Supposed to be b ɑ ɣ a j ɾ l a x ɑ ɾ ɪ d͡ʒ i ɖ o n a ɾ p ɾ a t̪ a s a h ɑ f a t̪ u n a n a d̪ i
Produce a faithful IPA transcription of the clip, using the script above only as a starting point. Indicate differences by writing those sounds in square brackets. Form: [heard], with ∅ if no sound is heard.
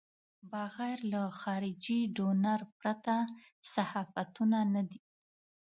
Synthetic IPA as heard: b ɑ ɣ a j ɾ l a x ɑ ɾ ɪ d͡ʒ i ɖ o n a ɾ p ɾ a t̪ a s a h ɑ f a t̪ u n a n a d̪ i